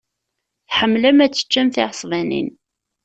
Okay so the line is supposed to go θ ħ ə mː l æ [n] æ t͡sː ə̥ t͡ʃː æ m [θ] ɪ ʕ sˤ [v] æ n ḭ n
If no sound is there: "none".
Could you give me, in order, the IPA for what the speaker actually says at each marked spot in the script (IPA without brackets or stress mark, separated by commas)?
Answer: m, θ, v